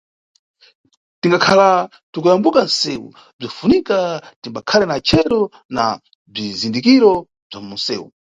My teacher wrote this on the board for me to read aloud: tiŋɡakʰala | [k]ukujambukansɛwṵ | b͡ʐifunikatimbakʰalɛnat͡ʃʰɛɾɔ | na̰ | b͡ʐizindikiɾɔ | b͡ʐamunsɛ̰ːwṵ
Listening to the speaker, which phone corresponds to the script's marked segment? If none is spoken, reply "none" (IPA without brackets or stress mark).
t